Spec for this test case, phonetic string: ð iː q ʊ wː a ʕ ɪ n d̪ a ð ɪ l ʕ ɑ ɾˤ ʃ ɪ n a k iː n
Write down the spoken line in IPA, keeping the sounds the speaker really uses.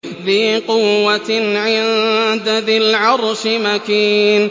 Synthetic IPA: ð iː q ʊ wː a ʕ ɪ n d̪ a ð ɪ l ʕ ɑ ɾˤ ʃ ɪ m a k iː n